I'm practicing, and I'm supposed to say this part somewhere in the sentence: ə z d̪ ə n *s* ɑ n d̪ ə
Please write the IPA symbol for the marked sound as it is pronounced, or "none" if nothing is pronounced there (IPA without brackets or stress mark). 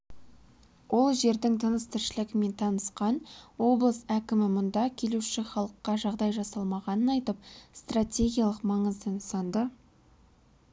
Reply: s